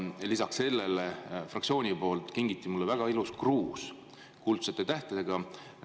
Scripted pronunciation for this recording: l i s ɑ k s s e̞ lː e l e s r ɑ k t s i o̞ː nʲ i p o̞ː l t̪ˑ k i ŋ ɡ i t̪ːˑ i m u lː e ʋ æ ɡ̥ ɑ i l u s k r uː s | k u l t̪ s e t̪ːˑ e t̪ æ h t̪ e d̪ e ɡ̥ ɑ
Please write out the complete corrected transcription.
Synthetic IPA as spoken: l i s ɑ k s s e̞ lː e l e f r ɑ k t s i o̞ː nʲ i p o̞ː l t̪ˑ k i ŋ ɡ i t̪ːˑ i m u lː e v æ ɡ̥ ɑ i l u s k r uː s | k u l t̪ s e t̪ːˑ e t̪ æ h t̪ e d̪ e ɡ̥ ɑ